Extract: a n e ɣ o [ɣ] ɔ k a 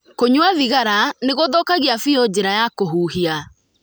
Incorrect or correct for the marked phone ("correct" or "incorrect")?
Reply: incorrect